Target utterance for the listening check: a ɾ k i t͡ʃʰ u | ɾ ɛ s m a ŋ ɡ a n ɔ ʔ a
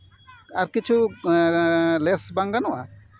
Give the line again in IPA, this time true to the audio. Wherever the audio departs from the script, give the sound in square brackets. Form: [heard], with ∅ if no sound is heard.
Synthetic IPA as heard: a ɾ k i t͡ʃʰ u | [l] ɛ s [b] a ŋ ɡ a n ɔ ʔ a